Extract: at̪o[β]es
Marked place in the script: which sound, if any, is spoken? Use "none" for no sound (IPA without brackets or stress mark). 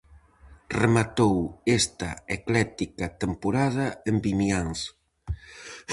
w